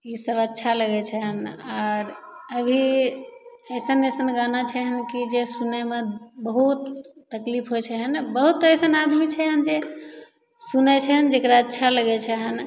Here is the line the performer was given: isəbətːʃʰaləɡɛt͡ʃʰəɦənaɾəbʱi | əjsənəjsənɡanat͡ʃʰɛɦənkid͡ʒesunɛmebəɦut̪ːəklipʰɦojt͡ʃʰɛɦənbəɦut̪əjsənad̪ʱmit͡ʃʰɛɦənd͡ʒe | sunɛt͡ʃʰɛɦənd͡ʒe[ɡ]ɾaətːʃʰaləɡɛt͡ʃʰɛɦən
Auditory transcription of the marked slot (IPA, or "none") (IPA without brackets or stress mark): k